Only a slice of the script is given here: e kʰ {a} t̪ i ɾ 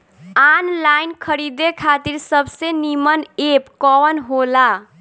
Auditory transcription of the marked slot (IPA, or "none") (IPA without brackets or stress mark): a